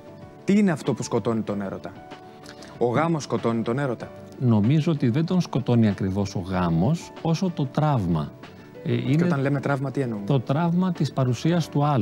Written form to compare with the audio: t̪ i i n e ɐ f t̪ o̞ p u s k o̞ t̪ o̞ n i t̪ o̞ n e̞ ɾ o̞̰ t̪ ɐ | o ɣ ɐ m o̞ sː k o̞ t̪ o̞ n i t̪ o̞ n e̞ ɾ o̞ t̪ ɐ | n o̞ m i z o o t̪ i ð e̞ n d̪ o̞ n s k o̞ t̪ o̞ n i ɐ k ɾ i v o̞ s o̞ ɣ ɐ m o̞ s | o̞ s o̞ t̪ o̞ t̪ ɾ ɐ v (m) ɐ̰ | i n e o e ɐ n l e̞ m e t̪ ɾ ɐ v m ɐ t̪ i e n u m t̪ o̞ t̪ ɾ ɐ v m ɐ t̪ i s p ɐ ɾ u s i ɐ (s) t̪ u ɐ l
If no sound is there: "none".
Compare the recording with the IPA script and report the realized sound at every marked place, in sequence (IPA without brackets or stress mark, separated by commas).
m, s